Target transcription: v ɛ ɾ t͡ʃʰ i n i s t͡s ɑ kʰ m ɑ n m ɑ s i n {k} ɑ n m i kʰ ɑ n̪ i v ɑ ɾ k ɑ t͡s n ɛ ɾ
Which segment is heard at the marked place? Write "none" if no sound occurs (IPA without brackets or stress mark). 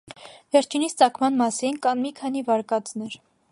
k